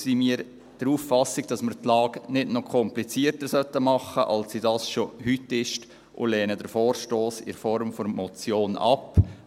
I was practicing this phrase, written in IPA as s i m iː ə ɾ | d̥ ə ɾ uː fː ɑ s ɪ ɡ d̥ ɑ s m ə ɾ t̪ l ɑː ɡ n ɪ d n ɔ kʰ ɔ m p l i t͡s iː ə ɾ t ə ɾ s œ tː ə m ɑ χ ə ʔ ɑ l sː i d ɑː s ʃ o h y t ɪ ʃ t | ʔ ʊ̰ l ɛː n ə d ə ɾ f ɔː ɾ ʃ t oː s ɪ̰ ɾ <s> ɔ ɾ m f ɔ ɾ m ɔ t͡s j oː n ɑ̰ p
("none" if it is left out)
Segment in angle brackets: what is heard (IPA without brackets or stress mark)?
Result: f